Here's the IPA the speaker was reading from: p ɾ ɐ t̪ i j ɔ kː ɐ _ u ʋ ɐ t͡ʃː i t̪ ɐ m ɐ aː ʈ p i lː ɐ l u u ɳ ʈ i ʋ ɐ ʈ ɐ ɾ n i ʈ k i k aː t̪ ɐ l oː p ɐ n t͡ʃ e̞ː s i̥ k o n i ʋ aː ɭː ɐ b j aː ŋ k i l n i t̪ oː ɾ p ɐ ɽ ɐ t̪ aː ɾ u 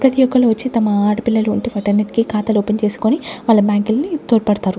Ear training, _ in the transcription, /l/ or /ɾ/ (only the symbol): l